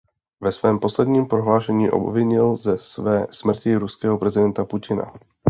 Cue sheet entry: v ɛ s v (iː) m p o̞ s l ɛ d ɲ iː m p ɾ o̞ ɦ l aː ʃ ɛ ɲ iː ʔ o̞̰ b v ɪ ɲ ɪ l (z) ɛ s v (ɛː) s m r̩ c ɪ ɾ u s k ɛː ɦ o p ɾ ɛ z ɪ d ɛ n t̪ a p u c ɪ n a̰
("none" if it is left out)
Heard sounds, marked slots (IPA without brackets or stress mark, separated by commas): ɛː, z, ɛː